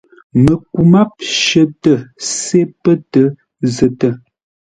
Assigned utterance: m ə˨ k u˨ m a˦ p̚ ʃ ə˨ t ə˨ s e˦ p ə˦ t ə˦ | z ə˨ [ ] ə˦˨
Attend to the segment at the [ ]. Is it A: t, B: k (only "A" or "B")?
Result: A